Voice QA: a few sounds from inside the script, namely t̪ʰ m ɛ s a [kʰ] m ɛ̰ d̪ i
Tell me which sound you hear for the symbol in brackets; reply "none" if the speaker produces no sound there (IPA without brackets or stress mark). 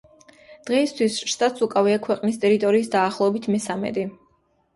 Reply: none